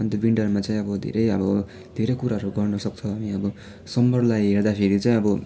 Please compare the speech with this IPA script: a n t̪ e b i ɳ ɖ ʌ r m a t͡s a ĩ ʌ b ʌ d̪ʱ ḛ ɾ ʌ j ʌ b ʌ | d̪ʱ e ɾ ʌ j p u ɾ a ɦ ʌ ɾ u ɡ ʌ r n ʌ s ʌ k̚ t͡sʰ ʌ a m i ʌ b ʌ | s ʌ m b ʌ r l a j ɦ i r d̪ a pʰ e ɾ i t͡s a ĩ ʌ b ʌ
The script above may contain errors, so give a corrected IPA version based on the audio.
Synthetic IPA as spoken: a n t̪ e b i ɳ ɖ ʌ r m a t͡s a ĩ ʌ b ʌ d̪ʱ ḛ ɾ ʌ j ʌ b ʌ | d̪ʱ e ɾ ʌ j k u ɾ a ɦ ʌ ɾ u ɡ ʌ r n ʌ s ʌ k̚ t͡sʰ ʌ a m i ʌ b ʌ | s ʌ m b ʌ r l a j ɦ e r d̪ a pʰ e ɾ i t͡s a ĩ ʌ b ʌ